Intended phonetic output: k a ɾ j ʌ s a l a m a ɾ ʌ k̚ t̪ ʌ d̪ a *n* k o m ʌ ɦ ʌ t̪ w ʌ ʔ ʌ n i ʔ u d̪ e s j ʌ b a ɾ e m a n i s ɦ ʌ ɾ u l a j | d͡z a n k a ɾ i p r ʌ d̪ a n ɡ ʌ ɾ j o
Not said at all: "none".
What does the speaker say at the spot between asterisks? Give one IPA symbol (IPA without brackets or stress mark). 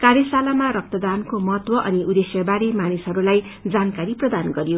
n